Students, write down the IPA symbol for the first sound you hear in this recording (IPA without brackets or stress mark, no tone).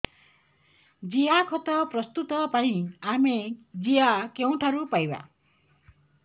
d͡ʒ